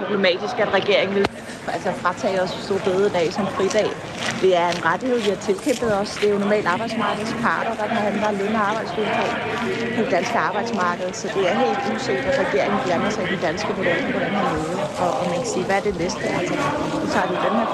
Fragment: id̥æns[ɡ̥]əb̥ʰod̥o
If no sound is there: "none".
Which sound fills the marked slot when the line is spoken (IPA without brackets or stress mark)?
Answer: ɡ̥